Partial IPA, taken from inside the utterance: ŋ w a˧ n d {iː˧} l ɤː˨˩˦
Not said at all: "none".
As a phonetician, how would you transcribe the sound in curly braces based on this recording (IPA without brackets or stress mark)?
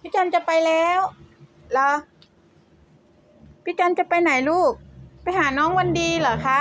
iː˧